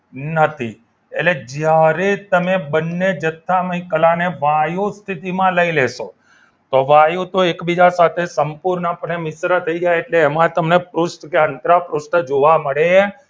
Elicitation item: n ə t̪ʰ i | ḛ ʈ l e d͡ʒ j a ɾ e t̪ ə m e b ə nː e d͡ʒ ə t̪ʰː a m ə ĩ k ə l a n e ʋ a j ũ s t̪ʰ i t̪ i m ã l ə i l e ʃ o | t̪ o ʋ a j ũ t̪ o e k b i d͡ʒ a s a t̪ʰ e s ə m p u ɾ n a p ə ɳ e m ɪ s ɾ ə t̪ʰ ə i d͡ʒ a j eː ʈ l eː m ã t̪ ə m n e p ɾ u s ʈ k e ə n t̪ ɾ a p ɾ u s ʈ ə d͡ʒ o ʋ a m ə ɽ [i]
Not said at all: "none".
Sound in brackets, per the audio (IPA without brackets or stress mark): e